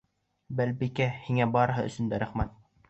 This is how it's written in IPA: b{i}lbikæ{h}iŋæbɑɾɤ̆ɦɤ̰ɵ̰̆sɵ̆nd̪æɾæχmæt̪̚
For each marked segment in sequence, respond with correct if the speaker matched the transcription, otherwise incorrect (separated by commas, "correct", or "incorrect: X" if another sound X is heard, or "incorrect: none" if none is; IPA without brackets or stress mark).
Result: incorrect: æ, correct